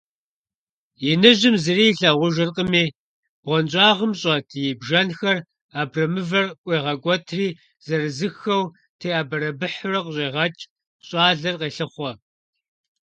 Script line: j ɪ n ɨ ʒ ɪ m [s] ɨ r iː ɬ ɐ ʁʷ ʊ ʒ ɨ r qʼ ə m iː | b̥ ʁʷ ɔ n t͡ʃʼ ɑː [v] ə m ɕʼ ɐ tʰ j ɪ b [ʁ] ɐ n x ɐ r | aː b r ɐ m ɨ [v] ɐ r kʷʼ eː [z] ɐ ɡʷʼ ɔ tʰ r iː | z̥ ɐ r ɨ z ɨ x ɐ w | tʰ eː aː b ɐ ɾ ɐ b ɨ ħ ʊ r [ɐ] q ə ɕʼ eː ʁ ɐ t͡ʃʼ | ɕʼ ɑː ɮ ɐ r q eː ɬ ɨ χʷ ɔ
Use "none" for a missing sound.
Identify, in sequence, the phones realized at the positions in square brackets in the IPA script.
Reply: z, ʁ, ʒ, v, ʁ, ɐ

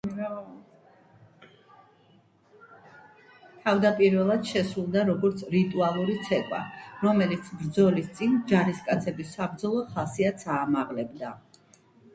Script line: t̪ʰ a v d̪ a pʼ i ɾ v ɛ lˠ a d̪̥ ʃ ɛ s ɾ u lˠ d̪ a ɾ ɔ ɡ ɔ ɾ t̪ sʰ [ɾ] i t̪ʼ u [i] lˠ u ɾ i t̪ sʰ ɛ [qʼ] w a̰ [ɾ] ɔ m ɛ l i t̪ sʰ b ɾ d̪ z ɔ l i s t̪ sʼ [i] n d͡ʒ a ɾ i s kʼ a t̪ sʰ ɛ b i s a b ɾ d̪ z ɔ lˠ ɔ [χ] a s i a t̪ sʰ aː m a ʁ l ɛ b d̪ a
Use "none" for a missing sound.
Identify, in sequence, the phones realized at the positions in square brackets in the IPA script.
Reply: ɾ, a, kʼ, ɾ, i, χ

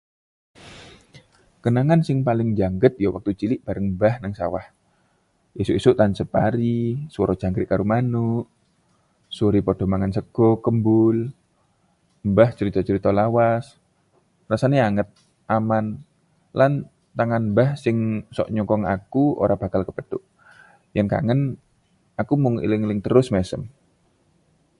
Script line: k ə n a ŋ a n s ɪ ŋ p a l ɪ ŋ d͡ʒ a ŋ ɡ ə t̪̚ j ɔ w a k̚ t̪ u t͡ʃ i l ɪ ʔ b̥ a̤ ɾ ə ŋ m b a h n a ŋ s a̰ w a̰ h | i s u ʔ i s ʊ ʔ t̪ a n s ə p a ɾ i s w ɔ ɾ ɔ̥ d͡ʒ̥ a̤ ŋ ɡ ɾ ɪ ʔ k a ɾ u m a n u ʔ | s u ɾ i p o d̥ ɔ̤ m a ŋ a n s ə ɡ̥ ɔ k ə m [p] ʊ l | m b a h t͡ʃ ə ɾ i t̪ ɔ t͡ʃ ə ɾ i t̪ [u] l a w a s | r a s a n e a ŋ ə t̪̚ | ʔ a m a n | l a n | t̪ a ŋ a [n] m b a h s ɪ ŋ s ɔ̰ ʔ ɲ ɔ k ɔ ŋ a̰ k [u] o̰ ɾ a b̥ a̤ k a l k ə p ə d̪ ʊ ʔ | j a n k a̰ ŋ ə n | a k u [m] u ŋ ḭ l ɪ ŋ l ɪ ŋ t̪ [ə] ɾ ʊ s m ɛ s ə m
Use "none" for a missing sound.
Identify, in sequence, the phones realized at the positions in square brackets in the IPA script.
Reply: b, ɔ, n, u, m, ə

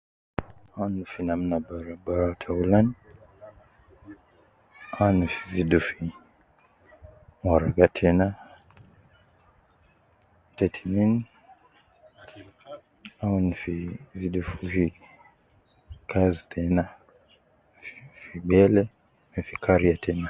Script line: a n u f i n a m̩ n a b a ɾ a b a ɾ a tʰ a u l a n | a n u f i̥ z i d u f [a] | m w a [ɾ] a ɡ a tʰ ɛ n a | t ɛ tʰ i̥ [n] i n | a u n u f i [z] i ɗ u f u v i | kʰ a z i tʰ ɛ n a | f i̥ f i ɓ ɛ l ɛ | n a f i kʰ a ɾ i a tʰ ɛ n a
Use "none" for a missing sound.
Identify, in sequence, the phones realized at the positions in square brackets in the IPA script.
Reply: i, ɾ, n, z

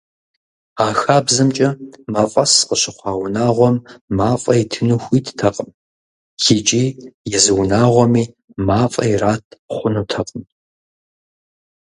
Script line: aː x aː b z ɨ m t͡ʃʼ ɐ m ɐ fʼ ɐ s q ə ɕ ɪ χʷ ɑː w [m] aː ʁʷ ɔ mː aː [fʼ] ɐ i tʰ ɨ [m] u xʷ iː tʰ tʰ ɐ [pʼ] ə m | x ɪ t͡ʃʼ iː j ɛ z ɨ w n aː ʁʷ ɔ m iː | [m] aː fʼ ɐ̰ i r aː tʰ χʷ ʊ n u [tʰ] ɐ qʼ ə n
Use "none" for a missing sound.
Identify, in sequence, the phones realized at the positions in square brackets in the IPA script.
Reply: n, fʼ, n, qʼ, m, tʰ

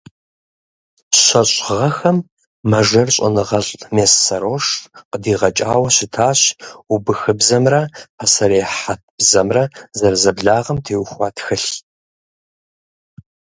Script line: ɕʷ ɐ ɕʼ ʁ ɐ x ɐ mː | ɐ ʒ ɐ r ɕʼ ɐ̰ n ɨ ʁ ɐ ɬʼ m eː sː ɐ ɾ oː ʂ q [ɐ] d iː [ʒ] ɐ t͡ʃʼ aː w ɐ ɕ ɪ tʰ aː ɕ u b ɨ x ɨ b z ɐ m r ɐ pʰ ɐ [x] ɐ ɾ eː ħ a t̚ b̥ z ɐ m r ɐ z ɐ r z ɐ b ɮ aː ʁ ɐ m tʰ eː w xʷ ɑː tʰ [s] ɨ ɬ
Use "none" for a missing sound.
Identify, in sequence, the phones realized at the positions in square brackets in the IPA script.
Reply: ə, ʁ, s, x

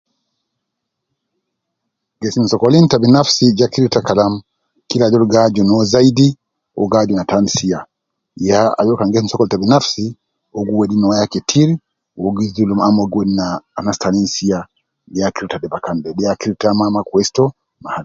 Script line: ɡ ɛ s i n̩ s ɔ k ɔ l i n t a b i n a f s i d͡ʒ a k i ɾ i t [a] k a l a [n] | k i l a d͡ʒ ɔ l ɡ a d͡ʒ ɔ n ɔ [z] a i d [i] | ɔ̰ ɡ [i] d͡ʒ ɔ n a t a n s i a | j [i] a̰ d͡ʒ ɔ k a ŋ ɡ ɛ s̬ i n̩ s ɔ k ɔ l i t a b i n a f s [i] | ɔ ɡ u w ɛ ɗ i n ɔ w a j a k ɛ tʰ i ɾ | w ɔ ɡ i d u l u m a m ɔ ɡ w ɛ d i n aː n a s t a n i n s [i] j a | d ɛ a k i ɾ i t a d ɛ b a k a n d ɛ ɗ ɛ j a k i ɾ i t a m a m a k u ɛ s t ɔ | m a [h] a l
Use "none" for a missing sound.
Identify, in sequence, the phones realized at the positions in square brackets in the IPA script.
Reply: a, m, z, i, a, a, i, i, h

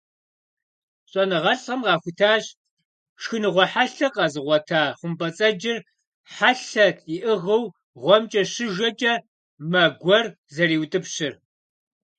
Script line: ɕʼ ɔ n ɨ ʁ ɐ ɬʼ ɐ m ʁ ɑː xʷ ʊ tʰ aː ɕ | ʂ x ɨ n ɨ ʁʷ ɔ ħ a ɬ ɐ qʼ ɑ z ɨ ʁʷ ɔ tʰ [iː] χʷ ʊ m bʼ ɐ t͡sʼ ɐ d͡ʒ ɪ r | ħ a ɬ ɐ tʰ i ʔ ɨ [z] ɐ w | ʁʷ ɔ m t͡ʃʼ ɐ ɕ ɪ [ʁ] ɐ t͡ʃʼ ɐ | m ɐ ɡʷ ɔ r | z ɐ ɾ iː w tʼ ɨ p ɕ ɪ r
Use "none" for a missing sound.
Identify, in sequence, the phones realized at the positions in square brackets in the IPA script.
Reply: aː, ʁ, ʒ

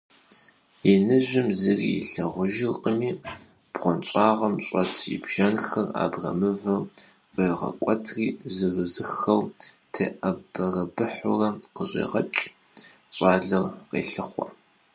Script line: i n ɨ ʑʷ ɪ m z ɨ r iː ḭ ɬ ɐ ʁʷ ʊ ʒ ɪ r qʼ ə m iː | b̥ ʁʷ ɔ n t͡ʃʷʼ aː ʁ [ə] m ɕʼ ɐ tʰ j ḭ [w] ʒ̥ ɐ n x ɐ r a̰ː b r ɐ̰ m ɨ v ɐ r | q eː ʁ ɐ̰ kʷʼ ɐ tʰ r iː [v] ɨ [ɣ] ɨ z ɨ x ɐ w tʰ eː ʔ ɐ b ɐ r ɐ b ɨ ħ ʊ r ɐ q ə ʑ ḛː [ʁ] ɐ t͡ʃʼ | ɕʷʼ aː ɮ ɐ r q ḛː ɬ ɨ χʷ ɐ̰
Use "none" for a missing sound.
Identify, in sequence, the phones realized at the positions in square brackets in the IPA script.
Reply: ɐ, b, z, ɣ, ʁ

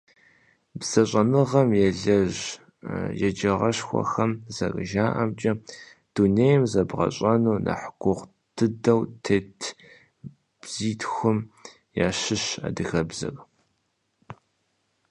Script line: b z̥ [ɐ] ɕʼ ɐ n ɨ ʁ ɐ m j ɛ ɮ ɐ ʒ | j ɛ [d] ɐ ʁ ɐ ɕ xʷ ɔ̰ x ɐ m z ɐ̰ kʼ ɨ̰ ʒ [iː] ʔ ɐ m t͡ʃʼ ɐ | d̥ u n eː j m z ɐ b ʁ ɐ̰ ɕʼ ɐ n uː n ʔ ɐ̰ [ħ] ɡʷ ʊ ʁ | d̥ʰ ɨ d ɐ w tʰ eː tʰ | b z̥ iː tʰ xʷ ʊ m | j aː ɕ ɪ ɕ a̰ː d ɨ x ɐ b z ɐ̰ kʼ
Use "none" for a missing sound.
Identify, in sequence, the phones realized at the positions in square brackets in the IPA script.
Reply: ɐ, d͡ʒ, aː, ħ

